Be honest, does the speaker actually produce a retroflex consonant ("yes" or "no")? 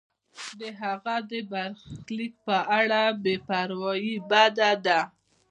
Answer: yes